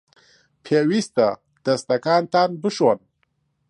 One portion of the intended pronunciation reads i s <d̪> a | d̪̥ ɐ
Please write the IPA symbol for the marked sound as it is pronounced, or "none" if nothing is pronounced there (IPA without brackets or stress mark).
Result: t̪